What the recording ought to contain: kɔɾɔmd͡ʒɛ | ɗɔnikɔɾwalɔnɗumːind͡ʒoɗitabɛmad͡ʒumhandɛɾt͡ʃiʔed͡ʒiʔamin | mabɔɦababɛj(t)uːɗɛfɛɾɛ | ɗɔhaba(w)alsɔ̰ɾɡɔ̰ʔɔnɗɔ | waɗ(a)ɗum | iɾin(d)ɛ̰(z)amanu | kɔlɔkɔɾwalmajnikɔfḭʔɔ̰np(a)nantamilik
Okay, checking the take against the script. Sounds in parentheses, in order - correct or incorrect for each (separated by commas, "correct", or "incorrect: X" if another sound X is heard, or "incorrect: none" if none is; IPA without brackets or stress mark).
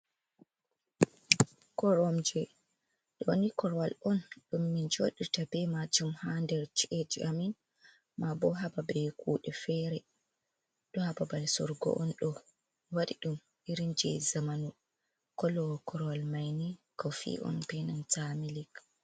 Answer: incorrect: k, incorrect: b, incorrect: i, incorrect: d͡ʒ, correct, incorrect: ɛ